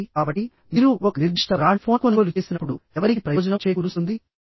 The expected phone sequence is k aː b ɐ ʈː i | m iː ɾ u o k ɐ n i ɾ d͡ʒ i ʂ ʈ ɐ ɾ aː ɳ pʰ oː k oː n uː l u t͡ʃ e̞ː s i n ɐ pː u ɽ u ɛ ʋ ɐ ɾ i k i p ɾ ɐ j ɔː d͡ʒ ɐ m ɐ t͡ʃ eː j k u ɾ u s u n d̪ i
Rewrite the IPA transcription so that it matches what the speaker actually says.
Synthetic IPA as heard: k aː b ɐ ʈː i | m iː ɾ u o k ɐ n i ɾ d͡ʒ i ʂ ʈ ɐ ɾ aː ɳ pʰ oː k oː n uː l u t͡ʃ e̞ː s i n ɐ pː u ɽ u ɛ ʋ ɐ ɾ i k i p ɾ ɐ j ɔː d͡ʒ ɐ n ɐ t͡ʃ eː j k u ɾ u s u n d̪ i